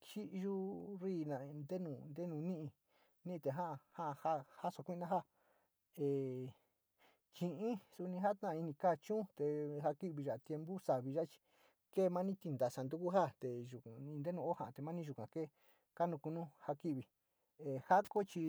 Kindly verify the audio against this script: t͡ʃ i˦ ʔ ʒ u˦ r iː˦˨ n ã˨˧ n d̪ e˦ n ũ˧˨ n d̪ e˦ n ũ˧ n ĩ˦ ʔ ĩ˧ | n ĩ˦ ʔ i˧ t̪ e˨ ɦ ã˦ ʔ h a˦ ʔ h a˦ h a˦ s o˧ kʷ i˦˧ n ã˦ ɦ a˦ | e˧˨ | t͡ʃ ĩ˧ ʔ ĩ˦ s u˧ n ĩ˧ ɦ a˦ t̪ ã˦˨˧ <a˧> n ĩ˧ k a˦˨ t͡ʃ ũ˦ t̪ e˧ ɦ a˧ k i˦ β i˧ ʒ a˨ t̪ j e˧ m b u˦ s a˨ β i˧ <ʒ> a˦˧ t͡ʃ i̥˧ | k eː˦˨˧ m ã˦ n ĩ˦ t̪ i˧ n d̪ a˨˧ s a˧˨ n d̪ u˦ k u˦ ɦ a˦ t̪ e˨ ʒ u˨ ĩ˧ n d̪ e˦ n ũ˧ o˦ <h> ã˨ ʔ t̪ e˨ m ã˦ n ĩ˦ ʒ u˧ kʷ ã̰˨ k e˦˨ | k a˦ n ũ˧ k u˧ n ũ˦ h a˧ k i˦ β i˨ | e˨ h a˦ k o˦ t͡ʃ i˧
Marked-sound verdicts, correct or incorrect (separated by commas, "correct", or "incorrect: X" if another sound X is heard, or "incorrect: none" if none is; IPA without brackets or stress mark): incorrect: i˧, correct, correct